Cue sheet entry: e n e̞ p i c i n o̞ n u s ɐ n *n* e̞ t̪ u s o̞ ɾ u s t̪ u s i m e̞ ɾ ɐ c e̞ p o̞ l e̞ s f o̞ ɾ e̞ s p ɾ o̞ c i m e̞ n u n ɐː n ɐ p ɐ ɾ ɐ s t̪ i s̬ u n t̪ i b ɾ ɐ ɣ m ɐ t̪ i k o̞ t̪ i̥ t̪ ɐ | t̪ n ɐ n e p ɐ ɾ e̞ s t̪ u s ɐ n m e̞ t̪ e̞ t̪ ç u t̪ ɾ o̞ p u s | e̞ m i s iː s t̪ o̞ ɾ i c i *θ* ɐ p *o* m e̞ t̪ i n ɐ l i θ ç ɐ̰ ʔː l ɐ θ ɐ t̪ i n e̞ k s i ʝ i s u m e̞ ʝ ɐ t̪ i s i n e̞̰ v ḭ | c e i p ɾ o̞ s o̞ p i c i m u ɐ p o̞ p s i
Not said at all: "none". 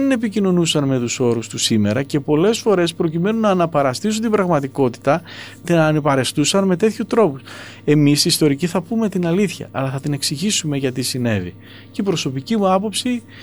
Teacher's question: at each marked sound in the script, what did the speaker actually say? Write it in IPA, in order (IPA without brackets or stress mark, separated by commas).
m, θ, u